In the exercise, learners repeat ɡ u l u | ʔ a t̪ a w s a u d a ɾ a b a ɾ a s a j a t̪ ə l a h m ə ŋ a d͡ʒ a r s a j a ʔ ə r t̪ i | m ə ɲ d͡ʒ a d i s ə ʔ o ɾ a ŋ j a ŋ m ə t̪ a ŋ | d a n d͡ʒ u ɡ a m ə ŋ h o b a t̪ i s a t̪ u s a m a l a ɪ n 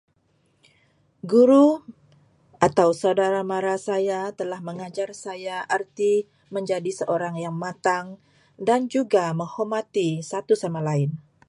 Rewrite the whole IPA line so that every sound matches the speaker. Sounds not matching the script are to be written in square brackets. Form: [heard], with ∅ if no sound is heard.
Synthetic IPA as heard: ɡ u [ɾ] u | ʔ a t̪ a w s a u d a ɾ a [m] a ɾ a s a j a t̪ ə l a h m ə ŋ a d͡ʒ a r s a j a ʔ ə r t̪ i | m ə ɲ d͡ʒ a d i s ə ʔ o ɾ a ŋ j a ŋ m [a] t̪ a ŋ | d a n d͡ʒ u ɡ a m ə ŋ h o [m] a t̪ i s a t̪ u s a m a l a ɪ n